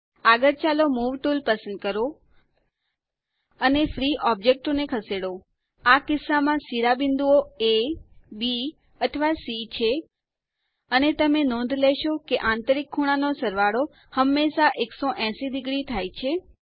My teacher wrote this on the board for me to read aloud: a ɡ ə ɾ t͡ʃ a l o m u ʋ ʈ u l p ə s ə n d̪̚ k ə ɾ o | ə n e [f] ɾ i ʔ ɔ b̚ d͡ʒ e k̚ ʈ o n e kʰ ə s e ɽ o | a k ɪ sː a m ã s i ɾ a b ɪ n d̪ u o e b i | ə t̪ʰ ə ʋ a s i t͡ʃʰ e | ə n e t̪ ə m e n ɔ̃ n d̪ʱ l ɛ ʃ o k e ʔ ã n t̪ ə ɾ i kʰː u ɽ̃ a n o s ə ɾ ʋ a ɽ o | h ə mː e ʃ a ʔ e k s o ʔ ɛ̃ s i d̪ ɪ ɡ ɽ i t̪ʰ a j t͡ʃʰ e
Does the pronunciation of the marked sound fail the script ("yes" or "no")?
no